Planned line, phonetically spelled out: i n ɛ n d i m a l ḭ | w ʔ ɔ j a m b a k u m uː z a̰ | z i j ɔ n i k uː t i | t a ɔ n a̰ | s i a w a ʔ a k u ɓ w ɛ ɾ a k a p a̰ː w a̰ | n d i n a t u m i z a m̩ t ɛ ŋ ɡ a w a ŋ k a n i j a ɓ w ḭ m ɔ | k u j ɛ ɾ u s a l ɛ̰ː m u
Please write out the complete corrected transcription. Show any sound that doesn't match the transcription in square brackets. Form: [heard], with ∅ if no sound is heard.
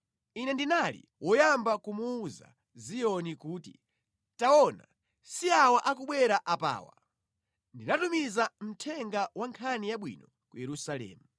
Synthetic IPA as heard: i n ɛ n d i [n] a l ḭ | w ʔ ɔ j a m b a k u m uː z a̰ | z i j ɔ n i k uː t i | t a ɔ n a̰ | s i a w a ʔ a k u ɓ w ɛ ɾ a [ʔ] a p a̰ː w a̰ | n d i n a t u m i z a m̩ [tʰ] ɛ ŋ ɡ a w a ŋ [kʰ] a n i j a ɓ w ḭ [n] ɔ | k u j ɛ ɾ u s a l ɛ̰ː m u